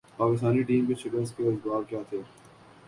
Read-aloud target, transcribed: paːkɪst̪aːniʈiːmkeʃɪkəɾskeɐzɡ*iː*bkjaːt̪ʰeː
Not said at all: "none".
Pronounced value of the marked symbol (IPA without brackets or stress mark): aː